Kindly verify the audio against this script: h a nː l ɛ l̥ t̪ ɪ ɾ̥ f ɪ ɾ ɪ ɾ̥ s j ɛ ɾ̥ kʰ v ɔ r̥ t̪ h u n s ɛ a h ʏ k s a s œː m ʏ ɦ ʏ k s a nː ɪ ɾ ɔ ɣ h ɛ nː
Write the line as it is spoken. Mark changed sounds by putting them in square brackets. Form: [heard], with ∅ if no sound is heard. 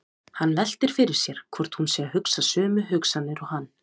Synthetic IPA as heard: h a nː l ɛ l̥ t̪ ɪ ɾ̥ f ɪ ɾ ɪ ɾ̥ s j ɛ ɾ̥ kʰ v ɔ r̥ t̪ h u n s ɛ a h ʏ k s a s œː m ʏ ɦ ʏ k s a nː ɪ ɾ ɔ ɣ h [a] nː